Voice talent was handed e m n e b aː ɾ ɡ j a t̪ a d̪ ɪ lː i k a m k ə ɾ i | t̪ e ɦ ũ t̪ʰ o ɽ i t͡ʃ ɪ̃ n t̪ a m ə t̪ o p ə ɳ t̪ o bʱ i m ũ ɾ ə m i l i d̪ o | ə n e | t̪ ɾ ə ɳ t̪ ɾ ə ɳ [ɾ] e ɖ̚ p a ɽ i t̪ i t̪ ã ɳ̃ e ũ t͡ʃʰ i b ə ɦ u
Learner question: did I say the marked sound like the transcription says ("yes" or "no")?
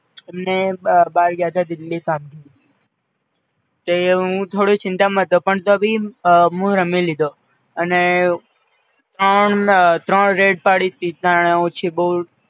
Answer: yes